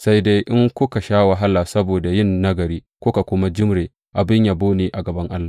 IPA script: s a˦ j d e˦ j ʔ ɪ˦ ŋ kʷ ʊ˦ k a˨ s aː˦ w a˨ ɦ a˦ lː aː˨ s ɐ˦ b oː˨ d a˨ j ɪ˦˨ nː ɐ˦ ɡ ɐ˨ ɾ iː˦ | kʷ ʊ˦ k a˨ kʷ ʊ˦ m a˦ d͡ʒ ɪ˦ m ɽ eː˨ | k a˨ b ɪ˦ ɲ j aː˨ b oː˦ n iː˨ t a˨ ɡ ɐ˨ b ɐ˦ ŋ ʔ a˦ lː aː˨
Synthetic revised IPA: s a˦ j d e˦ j ʔ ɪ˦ ŋ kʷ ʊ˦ k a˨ ʃ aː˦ w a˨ ɦ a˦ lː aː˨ s ɐ˦ b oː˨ d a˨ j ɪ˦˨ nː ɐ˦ ɡ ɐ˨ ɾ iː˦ | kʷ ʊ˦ k a˨ kʷ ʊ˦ m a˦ d͡ʒ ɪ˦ m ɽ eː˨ | ʔ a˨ b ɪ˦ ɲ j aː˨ b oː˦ n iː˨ ʔ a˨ ɡ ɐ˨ b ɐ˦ ŋ ʔ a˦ lː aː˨